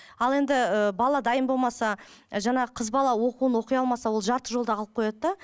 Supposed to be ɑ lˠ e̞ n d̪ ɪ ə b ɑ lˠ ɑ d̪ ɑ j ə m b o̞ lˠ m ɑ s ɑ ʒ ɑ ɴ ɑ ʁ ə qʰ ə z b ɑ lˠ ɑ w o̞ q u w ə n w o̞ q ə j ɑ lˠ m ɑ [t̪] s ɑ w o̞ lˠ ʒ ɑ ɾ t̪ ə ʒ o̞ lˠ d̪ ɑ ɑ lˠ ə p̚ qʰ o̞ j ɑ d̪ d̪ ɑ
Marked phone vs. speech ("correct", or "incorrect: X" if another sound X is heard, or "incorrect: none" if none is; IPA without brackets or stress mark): incorrect: none